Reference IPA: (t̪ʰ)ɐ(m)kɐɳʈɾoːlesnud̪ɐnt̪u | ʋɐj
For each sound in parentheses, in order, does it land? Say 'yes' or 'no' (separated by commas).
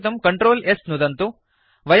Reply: no, yes